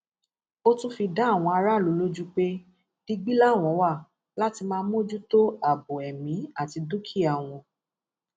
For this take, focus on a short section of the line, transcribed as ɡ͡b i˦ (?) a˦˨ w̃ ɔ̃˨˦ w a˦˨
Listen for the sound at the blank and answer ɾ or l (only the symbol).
l